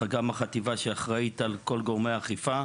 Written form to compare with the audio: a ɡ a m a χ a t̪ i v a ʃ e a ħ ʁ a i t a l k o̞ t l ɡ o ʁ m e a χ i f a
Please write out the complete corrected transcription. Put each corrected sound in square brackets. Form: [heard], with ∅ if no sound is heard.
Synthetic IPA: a ɡ a m a χ a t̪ i v a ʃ e a [χ] ʁ a i t a l k o̞ [∅] l ɡ o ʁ m e a χ i f a